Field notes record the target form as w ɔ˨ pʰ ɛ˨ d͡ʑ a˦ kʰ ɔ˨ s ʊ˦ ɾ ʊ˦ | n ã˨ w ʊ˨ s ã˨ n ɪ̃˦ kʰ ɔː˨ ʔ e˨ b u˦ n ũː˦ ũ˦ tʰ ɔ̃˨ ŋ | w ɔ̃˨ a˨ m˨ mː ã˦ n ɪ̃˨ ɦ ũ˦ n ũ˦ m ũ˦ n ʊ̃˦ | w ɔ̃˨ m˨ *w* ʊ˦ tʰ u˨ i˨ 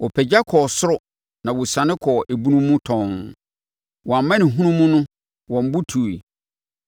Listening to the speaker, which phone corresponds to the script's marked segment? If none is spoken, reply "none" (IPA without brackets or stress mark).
b